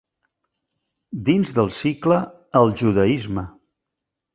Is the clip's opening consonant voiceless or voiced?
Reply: voiced